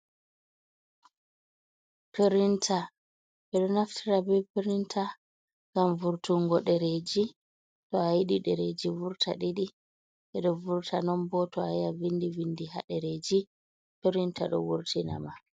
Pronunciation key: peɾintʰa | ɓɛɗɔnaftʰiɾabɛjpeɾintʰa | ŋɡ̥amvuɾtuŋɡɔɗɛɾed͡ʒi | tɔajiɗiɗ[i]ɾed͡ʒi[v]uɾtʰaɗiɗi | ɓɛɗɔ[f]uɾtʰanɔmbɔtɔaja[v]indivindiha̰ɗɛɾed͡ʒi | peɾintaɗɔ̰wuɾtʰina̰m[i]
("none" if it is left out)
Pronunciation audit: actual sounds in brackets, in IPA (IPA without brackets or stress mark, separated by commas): ɛ, v, v, v, a